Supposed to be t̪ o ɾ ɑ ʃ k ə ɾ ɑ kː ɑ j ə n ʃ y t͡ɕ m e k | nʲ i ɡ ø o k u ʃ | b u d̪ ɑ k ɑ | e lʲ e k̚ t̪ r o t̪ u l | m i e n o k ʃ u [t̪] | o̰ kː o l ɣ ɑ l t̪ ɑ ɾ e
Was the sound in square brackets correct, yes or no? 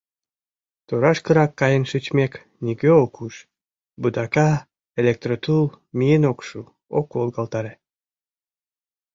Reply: no